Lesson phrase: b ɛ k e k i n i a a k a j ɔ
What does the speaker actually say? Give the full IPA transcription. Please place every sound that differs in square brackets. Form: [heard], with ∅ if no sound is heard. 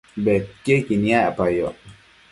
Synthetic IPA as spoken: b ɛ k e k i n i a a [p] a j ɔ